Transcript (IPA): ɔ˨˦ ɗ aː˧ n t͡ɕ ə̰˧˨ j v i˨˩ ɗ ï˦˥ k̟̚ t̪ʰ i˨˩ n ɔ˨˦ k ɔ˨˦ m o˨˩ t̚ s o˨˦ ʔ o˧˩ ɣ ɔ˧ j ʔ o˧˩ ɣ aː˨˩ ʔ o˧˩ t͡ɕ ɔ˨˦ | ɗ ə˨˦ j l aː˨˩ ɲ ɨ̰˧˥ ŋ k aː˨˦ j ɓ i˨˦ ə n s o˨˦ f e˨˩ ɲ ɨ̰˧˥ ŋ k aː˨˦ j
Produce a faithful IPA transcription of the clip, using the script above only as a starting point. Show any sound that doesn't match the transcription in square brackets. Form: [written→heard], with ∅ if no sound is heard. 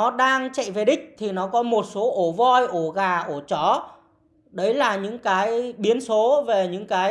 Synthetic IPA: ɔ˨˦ ɗ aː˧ [n→ŋ] t͡ɕ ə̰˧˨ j v [i˨˩→e˨˩] ɗ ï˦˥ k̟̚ t̪ʰ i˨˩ n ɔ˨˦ k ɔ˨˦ m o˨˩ t̚ s o˨˦ ʔ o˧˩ [ɣ→v] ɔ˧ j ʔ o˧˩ ɣ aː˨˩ ʔ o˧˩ t͡ɕ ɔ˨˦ | ɗ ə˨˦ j l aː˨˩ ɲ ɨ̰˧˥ ŋ k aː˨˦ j ɓ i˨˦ ə n s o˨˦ [f→v] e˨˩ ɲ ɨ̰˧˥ ŋ k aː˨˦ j